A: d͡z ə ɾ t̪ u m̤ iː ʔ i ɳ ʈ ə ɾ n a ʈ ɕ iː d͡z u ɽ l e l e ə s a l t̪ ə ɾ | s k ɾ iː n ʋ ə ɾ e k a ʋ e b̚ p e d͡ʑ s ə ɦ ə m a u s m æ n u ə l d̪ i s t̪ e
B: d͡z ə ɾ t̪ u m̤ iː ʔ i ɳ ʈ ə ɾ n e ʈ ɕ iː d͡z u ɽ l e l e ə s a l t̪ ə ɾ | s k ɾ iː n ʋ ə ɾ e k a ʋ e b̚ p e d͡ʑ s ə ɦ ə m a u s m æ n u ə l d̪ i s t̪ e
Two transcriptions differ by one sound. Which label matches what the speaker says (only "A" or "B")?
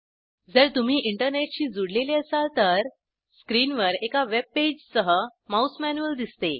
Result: B